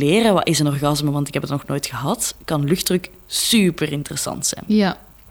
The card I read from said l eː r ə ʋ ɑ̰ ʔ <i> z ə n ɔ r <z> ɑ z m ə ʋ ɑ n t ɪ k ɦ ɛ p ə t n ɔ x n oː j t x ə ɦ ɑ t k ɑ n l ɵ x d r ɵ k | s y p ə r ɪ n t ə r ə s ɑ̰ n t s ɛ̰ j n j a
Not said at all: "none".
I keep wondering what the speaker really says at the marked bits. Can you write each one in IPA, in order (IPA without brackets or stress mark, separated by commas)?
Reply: ɪ, ɣ